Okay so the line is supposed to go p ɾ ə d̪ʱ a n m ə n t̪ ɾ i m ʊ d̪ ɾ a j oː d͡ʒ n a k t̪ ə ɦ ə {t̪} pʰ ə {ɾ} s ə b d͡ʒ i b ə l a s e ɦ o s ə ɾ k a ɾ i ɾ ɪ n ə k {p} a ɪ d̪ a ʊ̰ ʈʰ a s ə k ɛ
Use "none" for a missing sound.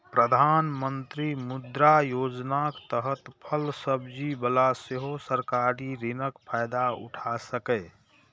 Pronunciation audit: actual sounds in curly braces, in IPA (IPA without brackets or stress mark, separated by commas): t̪, l, pʰ